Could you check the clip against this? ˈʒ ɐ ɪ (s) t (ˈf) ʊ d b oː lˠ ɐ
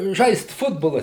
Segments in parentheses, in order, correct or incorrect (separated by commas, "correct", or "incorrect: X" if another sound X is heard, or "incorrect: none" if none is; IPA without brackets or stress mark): correct, correct